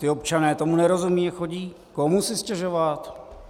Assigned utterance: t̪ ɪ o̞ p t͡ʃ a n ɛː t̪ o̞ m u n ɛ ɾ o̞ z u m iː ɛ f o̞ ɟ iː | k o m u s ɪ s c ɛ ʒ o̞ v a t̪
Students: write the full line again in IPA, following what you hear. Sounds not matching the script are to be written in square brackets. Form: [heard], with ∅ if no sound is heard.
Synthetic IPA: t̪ ɪ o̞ p t͡ʃ a n ɛː t̪ o̞ m u n ɛ ɾ o̞ z u m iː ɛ [x] o̞ ɟ iː | k o m u s ɪ s c ɛ ʒ o̞ v a t̪